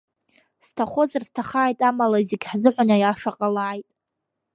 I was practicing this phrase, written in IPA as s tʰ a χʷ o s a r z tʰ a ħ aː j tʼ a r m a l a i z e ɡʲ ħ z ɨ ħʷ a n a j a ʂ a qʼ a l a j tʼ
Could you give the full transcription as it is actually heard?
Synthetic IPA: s tʰ a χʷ o z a r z tʰ a χ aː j tʼ a m a l a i z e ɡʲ ħ z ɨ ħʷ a n a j a ʂ a qʼ a l a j tʼ